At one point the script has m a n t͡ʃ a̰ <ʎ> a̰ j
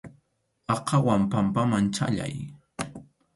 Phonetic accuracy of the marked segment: correct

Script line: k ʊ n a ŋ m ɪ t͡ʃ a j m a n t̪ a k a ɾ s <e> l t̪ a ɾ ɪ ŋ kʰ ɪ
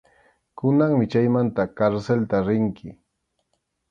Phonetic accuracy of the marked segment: correct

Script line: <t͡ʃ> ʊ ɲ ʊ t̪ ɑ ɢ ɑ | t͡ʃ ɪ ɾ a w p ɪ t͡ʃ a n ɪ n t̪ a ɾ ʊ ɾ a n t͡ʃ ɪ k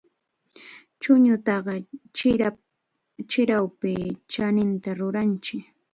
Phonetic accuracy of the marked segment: correct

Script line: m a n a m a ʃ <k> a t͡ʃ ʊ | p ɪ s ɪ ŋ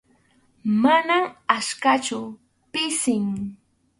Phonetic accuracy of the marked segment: correct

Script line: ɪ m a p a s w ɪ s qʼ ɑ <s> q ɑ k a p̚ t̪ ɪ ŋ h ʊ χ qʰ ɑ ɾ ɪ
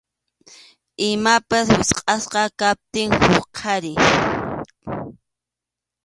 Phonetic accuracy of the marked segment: correct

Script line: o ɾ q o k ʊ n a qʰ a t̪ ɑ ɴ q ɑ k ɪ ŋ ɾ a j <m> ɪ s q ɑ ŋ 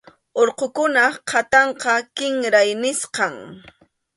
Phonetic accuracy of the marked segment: incorrect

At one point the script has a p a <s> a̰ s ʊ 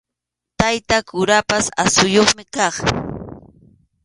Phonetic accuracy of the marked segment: correct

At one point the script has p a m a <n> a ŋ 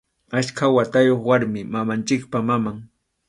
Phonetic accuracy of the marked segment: incorrect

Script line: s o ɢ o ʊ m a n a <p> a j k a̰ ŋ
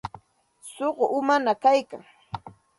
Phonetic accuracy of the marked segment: incorrect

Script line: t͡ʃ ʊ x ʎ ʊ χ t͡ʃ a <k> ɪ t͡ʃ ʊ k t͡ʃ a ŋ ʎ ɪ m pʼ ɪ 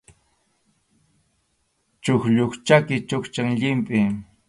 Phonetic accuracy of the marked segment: correct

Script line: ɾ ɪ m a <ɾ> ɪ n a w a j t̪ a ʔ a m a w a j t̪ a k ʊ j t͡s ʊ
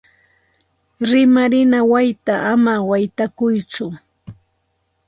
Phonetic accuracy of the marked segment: correct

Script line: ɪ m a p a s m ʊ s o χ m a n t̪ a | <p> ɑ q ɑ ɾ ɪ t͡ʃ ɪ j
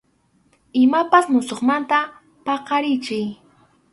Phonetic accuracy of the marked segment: correct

